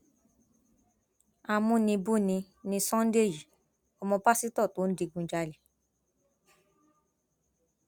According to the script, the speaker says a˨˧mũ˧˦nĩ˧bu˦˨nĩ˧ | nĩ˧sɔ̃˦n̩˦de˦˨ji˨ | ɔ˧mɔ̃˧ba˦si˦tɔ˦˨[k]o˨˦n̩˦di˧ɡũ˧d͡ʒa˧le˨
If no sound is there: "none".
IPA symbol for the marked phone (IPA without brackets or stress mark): t